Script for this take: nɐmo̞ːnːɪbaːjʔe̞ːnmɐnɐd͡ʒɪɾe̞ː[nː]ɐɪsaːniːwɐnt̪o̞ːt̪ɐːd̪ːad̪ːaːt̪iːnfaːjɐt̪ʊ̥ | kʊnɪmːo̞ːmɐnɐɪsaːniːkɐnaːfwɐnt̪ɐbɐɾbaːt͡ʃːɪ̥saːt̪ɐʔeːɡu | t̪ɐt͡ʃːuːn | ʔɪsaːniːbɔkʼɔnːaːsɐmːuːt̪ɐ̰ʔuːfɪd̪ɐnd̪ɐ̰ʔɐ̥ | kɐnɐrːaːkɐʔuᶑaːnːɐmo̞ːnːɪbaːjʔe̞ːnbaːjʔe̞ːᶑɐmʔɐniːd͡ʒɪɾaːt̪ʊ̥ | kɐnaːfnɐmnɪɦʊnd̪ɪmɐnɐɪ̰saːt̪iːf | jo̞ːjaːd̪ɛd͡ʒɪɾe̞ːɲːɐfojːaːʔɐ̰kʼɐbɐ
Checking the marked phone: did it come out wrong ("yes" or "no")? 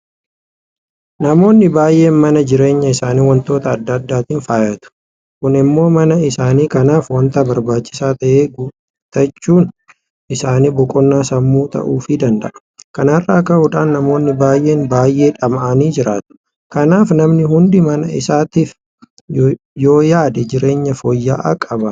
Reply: yes